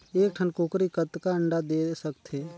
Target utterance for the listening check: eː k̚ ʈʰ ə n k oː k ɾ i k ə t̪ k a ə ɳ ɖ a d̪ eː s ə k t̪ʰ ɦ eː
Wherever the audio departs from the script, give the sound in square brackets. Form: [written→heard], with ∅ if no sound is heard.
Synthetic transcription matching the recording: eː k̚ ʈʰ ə n k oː k ɾ i k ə t̪ k a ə ɳ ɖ a d̪ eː s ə k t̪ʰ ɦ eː